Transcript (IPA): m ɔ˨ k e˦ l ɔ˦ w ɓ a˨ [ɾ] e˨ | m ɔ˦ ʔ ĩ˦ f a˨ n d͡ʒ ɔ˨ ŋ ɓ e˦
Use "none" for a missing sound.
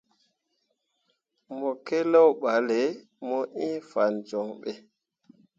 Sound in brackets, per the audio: l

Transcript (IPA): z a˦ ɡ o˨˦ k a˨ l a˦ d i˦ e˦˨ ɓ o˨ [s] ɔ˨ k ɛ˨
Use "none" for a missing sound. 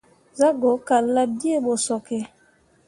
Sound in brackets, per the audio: s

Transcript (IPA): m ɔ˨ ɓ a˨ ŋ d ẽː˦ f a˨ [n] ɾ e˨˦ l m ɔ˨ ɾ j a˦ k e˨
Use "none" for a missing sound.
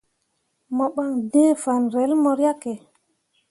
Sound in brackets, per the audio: n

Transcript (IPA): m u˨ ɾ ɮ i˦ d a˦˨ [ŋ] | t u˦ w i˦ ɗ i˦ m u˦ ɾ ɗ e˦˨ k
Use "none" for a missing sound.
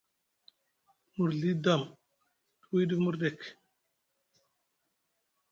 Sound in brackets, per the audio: m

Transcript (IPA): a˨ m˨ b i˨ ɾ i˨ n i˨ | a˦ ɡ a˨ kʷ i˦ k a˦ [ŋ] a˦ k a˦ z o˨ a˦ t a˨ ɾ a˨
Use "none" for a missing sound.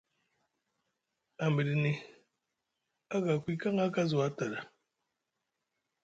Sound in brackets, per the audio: ŋ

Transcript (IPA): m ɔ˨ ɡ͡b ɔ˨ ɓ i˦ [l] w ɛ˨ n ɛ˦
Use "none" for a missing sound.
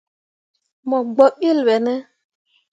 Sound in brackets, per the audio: l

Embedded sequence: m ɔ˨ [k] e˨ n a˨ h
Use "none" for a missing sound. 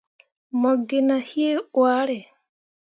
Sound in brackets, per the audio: ɡ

